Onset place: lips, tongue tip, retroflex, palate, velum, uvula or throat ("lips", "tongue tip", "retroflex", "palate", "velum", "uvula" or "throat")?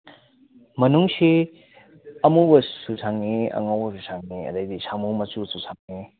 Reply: lips